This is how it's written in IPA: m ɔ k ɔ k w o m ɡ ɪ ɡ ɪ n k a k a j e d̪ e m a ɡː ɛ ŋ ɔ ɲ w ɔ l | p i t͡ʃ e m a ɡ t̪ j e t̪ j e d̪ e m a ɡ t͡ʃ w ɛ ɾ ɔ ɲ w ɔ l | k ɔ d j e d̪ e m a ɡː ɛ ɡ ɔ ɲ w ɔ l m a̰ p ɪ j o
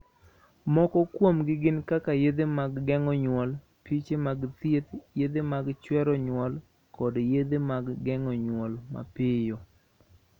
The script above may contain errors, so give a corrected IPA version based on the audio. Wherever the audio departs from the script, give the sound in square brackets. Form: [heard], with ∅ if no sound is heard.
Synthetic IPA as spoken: m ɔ k ɔ k w o m ɡ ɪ ɡ ɪ n k a k a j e d̪ e m a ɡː ɛ ŋ ɔ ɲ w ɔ l | p i t͡ʃ e m a ɡ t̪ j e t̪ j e d̪ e m a ɡ t͡ʃ w ɛ ɾ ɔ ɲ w ɔ l | k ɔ d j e d̪ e m a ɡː ɛ [ŋ] ɔ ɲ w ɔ l m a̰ p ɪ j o